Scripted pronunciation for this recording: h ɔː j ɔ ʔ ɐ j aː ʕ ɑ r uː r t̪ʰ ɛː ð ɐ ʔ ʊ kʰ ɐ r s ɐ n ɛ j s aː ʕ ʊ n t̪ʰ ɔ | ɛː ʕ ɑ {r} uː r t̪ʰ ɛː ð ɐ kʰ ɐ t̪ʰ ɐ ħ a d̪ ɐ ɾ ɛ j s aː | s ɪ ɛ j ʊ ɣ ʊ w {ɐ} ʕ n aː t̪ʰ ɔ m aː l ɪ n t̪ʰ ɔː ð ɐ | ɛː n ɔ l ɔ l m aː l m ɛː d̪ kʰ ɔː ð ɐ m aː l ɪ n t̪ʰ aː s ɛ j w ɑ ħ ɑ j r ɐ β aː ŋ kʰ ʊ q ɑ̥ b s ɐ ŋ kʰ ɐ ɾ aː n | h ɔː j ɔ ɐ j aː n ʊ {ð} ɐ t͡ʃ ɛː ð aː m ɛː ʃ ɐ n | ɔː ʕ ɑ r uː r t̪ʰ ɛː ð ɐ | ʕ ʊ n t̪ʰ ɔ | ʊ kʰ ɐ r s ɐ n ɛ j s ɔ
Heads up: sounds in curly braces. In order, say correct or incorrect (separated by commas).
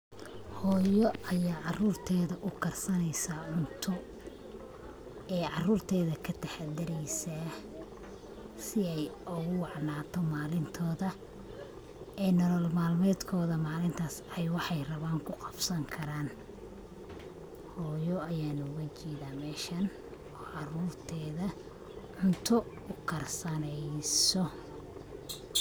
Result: correct, incorrect, incorrect